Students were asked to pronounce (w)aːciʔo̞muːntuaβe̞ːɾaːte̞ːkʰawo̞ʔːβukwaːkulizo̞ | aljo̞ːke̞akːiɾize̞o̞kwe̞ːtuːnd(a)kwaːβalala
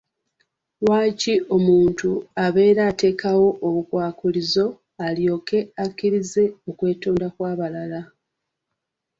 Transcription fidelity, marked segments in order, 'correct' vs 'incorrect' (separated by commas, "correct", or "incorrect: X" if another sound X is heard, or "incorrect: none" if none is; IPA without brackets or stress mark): correct, correct